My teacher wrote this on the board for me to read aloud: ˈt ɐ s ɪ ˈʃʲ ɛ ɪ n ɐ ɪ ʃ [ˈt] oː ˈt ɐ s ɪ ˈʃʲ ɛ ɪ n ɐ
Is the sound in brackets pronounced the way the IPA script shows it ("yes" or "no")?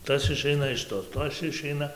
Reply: yes